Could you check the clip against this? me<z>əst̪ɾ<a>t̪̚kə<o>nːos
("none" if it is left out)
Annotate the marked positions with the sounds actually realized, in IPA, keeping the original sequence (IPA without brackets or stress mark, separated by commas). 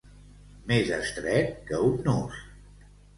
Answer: z, ɛ, u